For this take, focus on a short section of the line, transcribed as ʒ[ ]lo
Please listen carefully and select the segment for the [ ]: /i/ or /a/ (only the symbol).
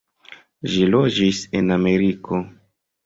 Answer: i